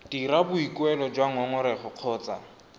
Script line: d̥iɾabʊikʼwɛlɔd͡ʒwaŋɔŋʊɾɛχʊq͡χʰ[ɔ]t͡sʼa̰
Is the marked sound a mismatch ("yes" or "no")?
yes